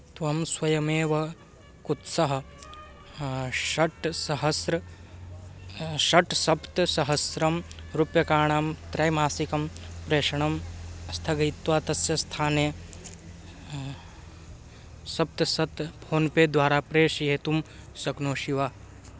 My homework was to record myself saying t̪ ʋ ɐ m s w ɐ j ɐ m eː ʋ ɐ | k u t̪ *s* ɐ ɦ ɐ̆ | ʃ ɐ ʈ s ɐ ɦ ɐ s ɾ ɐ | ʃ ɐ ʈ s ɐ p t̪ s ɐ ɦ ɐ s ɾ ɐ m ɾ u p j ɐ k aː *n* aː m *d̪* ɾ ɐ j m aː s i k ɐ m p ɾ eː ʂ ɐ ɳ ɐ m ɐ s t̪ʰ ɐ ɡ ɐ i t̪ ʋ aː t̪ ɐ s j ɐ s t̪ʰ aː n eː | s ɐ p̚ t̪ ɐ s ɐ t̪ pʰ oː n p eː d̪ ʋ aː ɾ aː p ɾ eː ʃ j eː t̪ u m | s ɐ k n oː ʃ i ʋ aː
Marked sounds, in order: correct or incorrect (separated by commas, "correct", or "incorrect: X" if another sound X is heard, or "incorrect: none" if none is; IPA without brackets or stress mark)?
correct, incorrect: ɳ, incorrect: t̪